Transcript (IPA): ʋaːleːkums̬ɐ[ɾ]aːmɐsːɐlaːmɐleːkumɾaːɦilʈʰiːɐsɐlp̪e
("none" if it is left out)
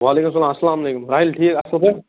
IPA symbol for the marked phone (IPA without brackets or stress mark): l